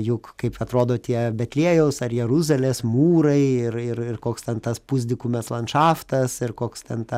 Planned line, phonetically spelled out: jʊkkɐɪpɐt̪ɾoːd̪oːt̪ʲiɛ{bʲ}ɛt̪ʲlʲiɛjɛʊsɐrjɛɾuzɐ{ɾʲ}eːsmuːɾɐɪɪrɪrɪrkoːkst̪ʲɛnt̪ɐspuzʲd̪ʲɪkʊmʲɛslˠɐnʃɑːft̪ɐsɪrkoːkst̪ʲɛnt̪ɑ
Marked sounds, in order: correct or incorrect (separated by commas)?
correct, incorrect